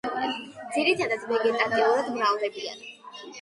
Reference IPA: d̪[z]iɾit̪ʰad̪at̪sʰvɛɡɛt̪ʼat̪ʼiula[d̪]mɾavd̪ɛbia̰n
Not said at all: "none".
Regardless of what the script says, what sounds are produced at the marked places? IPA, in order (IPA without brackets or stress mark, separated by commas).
z, d̪